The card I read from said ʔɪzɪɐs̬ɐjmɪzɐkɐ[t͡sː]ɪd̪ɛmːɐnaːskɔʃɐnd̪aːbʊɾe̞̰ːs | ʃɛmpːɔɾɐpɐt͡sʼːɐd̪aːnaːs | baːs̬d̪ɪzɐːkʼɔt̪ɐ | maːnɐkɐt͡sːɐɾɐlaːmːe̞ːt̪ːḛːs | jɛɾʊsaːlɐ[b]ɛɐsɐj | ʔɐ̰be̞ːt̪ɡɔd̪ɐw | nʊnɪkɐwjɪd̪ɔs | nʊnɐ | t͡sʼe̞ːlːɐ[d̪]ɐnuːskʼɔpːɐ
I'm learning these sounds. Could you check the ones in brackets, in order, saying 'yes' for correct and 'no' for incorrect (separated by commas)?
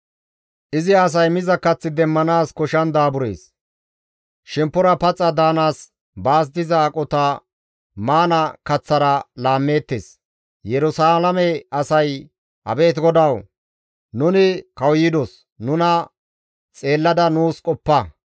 yes, no, yes